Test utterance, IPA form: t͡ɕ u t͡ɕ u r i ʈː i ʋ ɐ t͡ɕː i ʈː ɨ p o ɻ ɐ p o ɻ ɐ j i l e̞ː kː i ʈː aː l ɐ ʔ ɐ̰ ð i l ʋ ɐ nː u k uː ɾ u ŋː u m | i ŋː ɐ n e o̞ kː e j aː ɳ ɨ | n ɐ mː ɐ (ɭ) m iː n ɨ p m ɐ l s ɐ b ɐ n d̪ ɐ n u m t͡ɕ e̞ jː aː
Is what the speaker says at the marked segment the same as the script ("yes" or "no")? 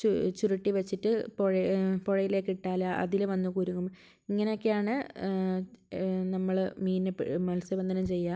yes